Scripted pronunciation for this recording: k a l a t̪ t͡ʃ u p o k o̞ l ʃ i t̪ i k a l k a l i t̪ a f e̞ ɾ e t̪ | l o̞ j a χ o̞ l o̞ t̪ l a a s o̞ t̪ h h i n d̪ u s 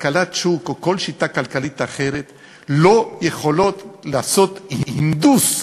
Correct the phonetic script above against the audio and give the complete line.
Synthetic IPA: k a l a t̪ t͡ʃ u k o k o̞ l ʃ i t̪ a k a l k a l i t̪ a χ e̞ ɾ e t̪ | l o̞ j e χ o̞ l o̞ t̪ l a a s o̞ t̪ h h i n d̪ u s

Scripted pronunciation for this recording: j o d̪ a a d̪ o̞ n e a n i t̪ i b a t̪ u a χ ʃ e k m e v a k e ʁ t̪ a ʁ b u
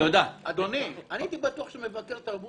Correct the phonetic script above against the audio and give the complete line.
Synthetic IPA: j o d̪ a a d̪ o̞ n i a n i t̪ i b a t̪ u a χ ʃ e m e v a k e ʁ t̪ a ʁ b u

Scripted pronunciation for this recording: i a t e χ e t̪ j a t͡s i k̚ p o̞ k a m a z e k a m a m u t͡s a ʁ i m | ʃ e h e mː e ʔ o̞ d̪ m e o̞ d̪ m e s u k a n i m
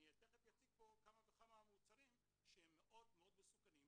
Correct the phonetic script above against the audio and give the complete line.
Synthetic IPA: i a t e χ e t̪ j a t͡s i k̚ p o̞ k a m a v e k a m a m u t͡s a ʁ i m | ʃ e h e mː e ʔ o̞ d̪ m e o̞ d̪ m e s u k a n i m

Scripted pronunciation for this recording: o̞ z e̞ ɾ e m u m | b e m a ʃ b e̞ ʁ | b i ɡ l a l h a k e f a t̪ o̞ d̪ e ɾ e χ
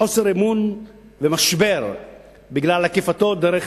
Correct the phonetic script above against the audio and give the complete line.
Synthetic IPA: o̞ s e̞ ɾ e m u n | v e m a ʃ b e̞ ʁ | b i ɡ l a l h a k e f a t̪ o̞ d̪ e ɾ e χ

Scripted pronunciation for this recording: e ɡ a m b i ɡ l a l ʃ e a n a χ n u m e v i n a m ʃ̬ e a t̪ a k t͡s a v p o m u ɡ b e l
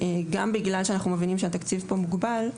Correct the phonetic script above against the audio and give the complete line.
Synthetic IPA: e ɡ a m b i ɡ l a l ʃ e a n a χ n u m e v i n i m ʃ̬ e a t̪ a k t͡s i v p o m u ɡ b a l

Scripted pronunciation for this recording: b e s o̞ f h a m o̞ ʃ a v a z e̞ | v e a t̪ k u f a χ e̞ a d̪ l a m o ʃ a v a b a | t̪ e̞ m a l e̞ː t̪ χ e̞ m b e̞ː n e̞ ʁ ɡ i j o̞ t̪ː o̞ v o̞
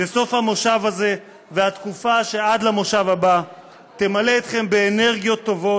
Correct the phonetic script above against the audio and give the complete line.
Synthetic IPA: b e s o̞ f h a m o̞ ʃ a v a z e̞ | v e a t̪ k u f a ʃ e̞ a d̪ l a m o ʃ a v a b a | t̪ e̞ m a l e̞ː t̪ χ e̞ m b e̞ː n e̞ ʁ ɡ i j o̞ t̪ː o̞ v o̞

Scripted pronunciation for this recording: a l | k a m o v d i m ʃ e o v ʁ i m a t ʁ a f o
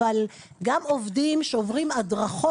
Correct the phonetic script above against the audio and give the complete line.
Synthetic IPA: a l | ɡ a m o v d i m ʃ e o v ʁ i m a d ʁ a χ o

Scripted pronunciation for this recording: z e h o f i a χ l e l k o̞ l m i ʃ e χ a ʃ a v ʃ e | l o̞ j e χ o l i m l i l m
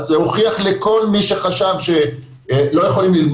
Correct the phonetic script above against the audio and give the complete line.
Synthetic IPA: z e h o χ i a χ l e k o̞ l m i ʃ e χ a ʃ a v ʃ e | l o̞ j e χ o l i m l i l m

